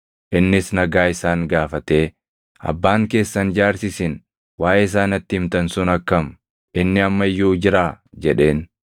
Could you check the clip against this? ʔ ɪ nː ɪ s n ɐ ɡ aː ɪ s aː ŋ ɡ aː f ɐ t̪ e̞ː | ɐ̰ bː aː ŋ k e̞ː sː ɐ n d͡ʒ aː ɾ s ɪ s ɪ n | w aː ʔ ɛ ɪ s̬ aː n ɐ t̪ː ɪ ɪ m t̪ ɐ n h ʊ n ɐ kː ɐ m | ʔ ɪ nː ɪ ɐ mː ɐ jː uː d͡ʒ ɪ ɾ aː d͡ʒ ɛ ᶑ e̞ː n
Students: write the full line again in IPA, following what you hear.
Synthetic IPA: ʔ ɪ nː ɪ s n ɐ ɡ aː ɪ s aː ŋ ɡ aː f ɐ t̪ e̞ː | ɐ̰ bː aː ŋ k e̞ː sː ɐ n d͡ʒ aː ɾ s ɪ s ɪ n | w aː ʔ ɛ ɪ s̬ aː n ɐ t̪ː ɪ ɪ m t̪ ɐ n s ʊ n ɐ kː ɐ m | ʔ ɪ nː ɪ ɐ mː ɐ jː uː d͡ʒ ɪ ɾ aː d͡ʒ ɛ ᶑ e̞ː n